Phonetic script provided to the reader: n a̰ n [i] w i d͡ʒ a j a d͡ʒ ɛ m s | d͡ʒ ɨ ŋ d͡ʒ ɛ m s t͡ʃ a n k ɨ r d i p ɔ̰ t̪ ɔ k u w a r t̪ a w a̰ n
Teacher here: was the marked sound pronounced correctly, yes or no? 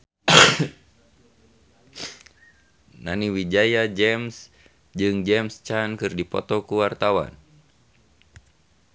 yes